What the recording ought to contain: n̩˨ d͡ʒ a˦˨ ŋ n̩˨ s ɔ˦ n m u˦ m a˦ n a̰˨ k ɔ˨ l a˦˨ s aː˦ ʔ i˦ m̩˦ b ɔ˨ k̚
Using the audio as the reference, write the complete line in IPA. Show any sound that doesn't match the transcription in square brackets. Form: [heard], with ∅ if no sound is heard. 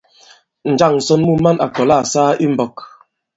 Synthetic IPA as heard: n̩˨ d͡ʒ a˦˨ ŋ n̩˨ s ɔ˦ n m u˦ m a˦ n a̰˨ k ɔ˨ l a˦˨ s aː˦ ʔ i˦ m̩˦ b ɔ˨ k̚